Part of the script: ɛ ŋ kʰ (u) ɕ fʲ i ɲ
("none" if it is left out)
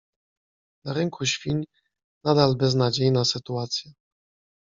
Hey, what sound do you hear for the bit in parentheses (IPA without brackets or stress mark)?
u